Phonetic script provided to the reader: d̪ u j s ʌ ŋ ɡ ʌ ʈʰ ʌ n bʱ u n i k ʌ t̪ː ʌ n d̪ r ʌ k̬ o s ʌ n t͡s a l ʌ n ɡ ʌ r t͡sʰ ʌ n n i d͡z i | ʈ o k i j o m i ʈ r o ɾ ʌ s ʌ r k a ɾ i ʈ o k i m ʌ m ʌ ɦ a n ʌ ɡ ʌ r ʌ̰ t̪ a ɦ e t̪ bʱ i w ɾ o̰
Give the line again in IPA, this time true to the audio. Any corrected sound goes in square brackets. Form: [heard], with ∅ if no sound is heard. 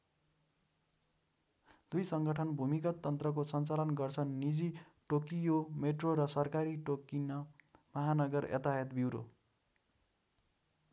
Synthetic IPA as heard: d̪ u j s ʌ ŋ ɡ ʌ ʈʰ ʌ n bʱ u [m] i k ʌ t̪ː ʌ n [t̪] r ʌ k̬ o s ʌ n t͡s a l ʌ n ɡ ʌ r t͡sʰ ʌ n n i d͡z i | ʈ o k i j o m [e] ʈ r o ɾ ʌ s ʌ r k a ɾ i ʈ o k i [n] ʌ m ʌ ɦ a n ʌ ɡ ʌ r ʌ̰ t̪ a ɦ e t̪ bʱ i w ɾ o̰